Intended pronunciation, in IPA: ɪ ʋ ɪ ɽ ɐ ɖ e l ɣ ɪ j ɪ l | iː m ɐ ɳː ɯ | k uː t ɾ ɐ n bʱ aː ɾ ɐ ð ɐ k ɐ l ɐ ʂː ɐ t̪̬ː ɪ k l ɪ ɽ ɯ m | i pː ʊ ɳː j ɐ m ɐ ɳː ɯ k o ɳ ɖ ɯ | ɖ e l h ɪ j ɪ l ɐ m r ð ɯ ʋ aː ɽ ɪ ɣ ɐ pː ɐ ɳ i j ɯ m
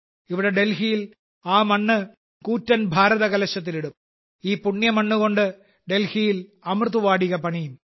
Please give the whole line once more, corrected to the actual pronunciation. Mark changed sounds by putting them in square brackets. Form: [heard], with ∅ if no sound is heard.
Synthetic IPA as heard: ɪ ʋ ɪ ɽ ɐ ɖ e l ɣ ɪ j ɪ l | [aː] m ɐ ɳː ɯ | k uː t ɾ ɐ n bʱ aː ɾ ɐ ð ɐ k ɐ l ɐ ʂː ɐ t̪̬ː ɪ [∅] l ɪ ɽ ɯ m | [iː] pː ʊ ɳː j ɐ m ɐ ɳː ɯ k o ɳ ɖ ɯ | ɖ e l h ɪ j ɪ l ɐ m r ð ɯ ʋ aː ɽ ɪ ɣ ɐ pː ɐ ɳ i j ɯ m

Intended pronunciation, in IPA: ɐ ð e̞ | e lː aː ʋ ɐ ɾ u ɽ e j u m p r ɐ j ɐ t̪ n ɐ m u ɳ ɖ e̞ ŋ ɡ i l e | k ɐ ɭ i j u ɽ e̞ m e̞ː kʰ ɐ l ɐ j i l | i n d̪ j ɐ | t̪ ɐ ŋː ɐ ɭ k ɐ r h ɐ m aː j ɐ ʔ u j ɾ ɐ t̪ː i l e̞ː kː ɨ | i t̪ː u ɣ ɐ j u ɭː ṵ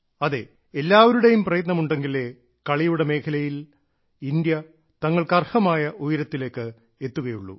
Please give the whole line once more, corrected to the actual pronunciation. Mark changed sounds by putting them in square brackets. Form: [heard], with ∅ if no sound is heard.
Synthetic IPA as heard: ɐ ð e̞ | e lː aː ʋ ɐ ɾ u ɽ e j u m p r ɐ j ɐ t̪ n ɐ m u ɳ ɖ e̞ ŋ ɡ i l e | k ɐ ɭ i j u ɽ e̞ m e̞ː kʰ ɐ l ɐ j i l | i n d̪ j ɐ | t̪ ɐ ŋː ɐ ɭ k ɐ r h ɐ m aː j ɐ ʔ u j ɾ ɐ t̪ː i l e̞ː kː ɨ | [e] t̪ː u ɣ ɐ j u ɭː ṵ

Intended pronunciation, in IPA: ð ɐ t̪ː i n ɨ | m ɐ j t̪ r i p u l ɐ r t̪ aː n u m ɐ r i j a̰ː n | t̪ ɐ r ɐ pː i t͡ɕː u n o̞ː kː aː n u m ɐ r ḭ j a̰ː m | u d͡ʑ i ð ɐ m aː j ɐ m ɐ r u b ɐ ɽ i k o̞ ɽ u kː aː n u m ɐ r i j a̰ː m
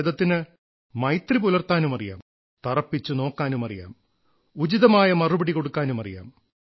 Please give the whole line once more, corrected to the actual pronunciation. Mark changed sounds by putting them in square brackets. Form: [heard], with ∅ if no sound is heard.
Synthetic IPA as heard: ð ɐ t̪ː i n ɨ | m ɐ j t̪ r i p u l ɐ r t̪ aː n u m ɐ r i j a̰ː [m] | t̪ ɐ r ɐ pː i t͡ɕː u n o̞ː kː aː n u m ɐ r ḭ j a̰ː m | u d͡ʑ i ð ɐ m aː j ɐ m ɐ r u b ɐ ɽ i k o̞ ɽ u kː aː n u m ɐ r i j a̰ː m

